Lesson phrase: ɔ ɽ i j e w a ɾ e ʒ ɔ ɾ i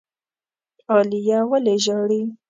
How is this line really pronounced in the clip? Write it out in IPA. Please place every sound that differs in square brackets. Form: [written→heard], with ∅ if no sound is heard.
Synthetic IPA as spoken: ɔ [ɽ→l] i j [e→a] w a [ɾ→l] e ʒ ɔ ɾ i